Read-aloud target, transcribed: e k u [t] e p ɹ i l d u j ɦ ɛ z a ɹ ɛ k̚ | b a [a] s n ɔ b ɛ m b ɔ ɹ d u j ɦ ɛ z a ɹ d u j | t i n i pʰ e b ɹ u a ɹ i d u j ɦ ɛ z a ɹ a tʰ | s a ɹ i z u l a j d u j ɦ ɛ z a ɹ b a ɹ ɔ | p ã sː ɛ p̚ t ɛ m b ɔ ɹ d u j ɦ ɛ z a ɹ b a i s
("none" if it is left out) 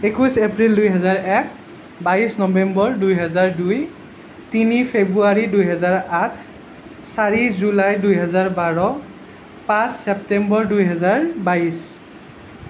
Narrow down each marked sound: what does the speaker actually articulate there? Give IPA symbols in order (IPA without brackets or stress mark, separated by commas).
s, i